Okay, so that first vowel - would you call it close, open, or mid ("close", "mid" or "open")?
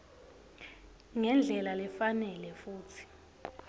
mid